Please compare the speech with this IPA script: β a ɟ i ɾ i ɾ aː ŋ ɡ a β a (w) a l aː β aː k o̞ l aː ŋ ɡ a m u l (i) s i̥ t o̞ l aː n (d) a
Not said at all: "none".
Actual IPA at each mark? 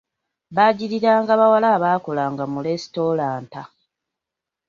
w, e, t

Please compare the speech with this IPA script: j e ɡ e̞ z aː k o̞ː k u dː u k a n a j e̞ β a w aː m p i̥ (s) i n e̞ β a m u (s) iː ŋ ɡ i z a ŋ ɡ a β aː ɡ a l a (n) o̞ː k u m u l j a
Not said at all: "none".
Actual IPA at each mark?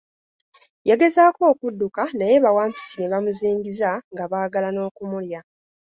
s, z, n

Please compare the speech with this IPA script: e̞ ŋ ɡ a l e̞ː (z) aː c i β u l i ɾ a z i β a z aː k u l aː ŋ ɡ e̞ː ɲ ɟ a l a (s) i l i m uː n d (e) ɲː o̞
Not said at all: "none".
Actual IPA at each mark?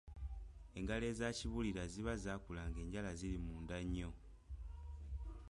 z, z, a

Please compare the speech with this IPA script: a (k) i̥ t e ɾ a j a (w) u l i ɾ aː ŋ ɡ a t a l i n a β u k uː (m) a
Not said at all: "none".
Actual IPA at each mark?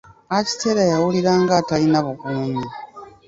c, w, ɲ

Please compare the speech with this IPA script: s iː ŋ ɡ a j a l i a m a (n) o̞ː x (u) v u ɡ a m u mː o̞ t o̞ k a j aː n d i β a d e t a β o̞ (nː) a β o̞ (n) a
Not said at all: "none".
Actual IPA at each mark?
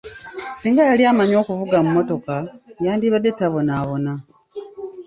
ɲ, u, n, n

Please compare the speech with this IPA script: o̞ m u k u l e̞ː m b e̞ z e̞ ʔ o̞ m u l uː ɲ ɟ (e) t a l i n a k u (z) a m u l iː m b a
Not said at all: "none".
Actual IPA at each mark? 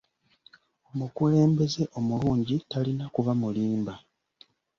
i, v

